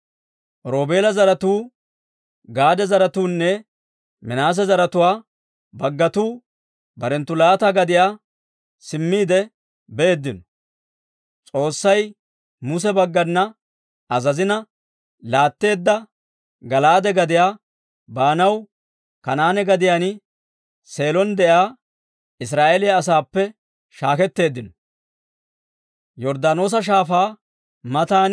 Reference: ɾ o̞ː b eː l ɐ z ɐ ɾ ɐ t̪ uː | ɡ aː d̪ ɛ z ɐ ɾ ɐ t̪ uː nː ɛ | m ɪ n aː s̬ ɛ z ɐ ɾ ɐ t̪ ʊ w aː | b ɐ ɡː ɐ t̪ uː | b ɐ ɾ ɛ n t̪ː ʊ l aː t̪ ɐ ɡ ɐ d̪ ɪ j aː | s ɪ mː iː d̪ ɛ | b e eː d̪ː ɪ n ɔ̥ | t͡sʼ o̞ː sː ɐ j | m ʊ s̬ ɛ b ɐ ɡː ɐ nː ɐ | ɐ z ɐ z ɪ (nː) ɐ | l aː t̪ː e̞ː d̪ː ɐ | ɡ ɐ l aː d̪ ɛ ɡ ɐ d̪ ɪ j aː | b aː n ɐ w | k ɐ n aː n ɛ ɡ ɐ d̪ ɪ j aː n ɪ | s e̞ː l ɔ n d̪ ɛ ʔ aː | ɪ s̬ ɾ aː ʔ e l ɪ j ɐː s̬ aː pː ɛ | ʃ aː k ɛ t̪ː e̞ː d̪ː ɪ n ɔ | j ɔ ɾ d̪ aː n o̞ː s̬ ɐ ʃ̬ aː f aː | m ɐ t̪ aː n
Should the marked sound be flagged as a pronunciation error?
yes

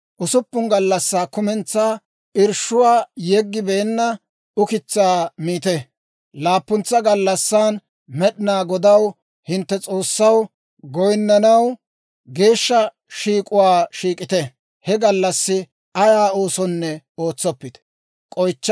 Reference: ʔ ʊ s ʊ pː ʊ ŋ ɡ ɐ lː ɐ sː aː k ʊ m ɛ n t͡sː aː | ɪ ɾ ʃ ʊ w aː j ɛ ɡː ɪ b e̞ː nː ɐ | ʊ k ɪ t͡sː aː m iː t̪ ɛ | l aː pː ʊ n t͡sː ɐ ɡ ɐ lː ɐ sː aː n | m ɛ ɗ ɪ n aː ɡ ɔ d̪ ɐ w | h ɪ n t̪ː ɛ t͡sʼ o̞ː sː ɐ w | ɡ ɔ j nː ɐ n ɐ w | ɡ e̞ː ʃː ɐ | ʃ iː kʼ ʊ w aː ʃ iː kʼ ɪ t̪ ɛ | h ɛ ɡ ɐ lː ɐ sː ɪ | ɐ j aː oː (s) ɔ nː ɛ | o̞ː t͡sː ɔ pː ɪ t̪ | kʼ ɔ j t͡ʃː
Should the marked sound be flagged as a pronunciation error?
no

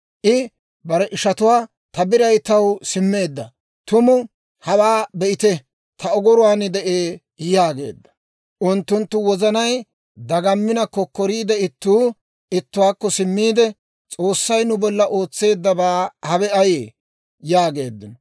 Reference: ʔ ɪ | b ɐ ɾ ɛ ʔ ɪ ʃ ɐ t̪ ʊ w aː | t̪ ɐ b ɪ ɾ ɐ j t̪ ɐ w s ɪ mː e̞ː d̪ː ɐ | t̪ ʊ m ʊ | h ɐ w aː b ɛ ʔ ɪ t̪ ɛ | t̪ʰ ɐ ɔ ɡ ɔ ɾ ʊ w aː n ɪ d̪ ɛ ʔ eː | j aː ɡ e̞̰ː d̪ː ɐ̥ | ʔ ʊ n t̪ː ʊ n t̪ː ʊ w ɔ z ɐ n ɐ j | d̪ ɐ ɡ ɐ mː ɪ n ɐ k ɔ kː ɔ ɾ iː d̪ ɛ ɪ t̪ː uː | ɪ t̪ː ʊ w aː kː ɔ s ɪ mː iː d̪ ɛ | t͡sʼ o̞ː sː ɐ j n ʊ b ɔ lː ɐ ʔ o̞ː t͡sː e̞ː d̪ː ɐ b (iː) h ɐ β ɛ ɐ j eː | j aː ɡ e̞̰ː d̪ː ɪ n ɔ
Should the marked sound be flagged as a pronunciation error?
yes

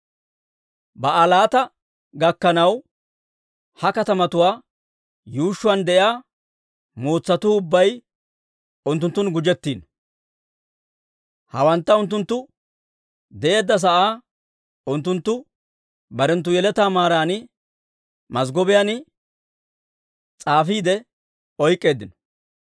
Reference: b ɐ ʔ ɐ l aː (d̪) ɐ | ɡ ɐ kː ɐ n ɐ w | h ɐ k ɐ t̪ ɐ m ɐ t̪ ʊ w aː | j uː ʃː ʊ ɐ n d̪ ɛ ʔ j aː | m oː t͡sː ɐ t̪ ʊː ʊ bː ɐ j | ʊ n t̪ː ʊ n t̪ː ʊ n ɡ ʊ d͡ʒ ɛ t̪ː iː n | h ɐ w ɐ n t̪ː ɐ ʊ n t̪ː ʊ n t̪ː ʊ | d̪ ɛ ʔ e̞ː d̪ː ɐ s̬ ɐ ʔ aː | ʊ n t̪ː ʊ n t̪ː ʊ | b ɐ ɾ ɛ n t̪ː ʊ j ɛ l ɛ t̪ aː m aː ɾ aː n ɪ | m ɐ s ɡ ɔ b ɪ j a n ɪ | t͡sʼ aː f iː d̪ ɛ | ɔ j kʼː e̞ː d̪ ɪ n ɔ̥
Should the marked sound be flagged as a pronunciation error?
yes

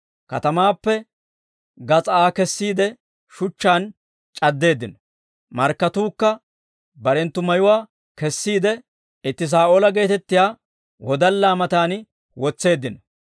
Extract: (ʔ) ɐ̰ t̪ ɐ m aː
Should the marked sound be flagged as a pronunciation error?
yes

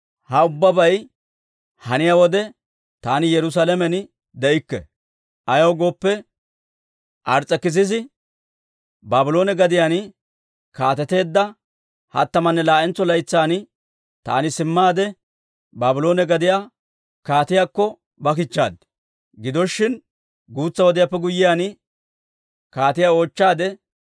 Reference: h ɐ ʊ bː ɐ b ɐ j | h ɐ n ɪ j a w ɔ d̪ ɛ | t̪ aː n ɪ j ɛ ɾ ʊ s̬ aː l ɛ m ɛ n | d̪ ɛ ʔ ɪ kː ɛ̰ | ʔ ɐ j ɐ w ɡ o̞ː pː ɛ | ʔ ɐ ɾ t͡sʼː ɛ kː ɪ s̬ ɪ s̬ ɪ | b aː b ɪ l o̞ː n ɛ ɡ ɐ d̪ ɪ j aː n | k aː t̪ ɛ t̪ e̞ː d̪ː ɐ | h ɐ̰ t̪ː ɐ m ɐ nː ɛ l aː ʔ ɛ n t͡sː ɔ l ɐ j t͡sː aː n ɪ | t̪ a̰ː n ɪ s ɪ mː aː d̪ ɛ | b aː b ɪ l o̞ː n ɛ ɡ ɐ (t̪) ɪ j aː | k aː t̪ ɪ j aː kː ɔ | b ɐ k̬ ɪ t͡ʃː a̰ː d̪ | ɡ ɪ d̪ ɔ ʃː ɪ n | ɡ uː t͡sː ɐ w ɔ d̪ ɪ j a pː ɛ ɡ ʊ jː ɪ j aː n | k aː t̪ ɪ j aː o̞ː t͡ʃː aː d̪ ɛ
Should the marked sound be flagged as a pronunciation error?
yes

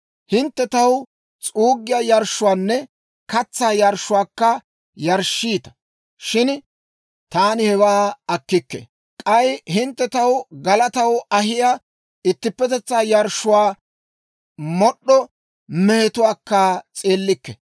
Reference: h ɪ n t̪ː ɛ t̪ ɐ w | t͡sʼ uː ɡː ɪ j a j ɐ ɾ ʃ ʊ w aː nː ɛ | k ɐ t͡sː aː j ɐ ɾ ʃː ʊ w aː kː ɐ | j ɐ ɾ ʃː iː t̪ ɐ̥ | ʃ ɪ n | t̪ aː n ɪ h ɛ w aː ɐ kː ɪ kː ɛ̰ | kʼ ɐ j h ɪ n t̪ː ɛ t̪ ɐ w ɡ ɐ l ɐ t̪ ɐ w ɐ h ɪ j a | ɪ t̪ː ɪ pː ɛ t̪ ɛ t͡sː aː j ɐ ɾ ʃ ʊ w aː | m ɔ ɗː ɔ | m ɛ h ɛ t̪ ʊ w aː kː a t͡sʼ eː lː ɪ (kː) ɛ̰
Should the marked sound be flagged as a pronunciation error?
no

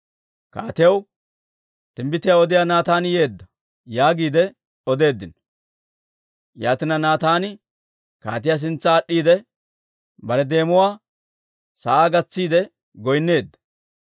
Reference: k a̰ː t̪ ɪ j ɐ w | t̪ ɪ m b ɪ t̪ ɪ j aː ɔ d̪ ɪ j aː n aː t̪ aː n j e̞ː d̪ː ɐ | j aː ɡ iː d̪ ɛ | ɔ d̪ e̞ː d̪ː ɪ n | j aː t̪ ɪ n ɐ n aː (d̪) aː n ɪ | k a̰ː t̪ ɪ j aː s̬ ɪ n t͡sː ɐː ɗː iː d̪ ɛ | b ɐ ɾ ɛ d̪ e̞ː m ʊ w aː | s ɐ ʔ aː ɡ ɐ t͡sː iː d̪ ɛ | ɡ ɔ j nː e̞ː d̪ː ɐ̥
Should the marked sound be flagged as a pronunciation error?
yes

